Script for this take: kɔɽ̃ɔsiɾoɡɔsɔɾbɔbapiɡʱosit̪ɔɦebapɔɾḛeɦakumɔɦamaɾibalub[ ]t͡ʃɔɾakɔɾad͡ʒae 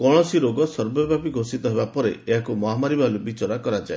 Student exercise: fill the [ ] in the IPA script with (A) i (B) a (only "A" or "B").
A